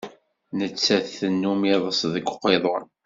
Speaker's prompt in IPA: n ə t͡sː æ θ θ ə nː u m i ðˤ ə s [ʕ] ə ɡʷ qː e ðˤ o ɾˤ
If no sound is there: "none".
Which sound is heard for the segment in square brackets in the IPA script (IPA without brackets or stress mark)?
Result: ð